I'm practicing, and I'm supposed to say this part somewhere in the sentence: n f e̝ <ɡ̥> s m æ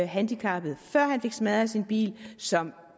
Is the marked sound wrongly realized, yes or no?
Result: no